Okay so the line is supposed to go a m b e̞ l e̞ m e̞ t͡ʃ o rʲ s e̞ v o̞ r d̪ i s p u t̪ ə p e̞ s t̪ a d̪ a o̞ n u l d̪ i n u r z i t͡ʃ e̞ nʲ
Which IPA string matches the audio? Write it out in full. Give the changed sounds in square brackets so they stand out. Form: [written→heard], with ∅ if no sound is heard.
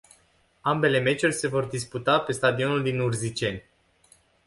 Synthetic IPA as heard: a m b e̞ l e̞ m e̞ t͡ʃ [o→u] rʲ s e̞ v o̞ r d̪ i s p u t̪ [ə→a] p e̞ s t̪ a d̪ [a→i] o̞ n u l d̪ i n u r z i t͡ʃ e̞ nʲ